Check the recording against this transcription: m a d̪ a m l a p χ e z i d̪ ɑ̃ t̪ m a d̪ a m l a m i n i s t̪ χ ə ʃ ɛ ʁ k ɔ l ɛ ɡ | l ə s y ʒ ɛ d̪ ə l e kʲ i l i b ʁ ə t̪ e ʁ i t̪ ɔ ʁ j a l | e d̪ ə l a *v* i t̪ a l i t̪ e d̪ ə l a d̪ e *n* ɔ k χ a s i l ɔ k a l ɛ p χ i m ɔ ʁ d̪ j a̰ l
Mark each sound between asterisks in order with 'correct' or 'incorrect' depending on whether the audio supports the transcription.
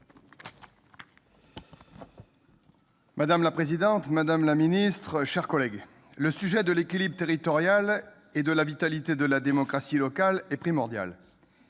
correct, incorrect: m

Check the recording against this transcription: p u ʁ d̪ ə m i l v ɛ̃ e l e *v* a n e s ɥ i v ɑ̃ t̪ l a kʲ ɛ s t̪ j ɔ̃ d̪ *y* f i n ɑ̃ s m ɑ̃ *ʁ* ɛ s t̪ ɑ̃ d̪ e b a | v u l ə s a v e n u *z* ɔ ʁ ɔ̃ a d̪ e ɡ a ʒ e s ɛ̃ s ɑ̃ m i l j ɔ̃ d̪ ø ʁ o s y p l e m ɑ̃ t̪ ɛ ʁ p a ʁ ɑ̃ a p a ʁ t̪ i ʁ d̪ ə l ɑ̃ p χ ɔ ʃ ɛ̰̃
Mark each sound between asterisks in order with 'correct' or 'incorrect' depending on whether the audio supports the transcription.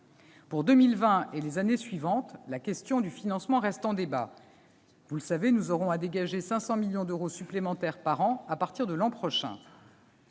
incorrect: z, correct, correct, correct

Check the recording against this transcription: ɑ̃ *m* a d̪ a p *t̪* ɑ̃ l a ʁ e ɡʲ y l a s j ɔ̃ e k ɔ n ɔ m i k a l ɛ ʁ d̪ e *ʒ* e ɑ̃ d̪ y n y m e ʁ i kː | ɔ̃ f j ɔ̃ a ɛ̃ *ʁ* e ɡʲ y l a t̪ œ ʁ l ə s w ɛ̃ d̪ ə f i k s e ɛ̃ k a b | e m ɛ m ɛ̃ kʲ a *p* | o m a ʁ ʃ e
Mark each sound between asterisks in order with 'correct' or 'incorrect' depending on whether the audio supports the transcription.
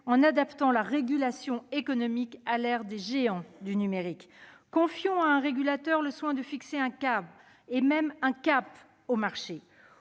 incorrect: n, correct, correct, correct, correct

